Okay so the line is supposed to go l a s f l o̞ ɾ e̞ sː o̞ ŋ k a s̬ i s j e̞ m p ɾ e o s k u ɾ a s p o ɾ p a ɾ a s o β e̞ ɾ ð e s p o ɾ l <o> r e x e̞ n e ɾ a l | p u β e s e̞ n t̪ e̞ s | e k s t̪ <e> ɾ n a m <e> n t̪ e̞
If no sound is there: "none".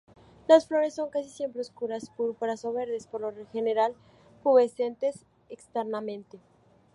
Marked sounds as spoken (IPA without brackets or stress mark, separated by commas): o, e, ẽ